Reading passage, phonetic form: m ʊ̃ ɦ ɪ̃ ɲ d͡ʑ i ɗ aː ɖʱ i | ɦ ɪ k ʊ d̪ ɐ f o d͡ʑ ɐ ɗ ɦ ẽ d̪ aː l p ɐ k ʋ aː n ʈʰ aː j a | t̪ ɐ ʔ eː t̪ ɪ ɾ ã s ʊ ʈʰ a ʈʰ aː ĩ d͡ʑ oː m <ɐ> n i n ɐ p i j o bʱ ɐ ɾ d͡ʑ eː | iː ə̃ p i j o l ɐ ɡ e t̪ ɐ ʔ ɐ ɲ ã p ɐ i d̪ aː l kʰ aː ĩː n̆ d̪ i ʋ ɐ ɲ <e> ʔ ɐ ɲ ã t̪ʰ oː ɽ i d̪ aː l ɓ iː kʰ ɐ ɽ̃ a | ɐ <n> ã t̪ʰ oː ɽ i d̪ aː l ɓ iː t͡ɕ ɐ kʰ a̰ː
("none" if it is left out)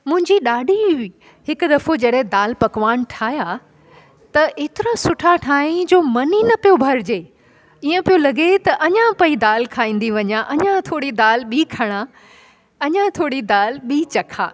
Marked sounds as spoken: ɐ, a, ɲ

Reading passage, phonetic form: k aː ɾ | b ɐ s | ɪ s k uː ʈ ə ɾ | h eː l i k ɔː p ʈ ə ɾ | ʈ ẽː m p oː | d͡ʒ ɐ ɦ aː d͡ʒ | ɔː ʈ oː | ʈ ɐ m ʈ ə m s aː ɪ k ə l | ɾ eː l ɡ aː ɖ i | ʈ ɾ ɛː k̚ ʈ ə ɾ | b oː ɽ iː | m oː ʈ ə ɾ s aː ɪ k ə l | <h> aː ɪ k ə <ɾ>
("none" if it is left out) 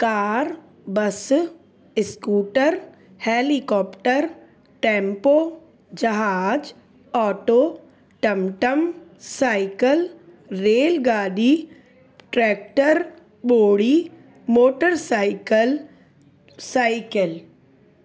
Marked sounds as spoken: s, l

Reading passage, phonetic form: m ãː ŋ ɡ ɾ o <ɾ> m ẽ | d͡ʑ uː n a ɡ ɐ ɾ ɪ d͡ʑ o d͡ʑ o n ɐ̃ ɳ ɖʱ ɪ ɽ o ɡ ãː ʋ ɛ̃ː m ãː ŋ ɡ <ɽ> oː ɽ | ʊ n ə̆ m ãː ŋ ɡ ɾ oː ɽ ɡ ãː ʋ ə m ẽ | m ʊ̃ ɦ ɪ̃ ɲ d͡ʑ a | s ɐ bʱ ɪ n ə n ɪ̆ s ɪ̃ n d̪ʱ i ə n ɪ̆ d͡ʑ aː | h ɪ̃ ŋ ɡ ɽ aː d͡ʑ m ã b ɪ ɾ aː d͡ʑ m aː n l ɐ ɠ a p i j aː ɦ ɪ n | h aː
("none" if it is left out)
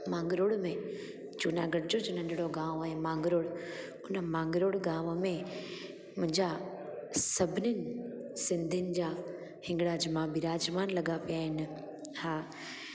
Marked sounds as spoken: ɽ, ɾ

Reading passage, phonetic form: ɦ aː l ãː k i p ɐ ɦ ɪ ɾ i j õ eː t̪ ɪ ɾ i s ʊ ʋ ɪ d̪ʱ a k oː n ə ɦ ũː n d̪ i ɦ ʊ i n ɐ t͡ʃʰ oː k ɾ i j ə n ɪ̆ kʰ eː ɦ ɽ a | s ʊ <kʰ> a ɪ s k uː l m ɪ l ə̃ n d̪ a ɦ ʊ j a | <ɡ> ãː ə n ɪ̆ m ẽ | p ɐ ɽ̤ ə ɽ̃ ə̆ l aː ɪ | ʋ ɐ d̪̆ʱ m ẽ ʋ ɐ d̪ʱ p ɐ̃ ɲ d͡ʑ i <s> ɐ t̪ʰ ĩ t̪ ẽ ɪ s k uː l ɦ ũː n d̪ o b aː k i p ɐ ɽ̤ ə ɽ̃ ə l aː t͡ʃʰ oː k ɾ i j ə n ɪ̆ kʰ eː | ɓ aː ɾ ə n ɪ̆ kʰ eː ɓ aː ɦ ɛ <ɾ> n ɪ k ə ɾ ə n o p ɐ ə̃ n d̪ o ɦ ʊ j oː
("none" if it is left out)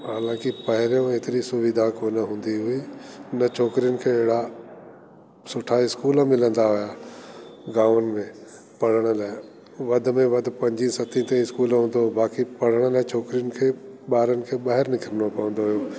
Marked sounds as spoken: ʈʰ, ɡ, s, ɾ

